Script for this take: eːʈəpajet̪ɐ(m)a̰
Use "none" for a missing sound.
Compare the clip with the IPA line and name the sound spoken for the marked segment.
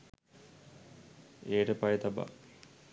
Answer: b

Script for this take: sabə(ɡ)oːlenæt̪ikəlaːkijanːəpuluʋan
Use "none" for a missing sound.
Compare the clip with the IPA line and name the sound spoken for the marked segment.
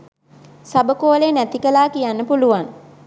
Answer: k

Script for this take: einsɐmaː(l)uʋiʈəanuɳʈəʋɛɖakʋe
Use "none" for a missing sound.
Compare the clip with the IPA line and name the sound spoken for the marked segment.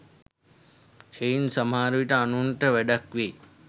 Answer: ɾ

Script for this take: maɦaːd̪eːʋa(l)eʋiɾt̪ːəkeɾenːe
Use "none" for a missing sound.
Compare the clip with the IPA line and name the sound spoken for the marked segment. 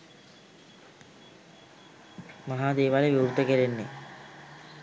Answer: l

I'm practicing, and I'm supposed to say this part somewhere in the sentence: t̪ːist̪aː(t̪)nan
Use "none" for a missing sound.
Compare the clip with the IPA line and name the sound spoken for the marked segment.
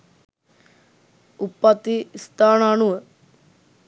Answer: none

